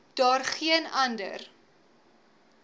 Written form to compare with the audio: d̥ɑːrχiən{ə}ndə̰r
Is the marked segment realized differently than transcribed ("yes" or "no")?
yes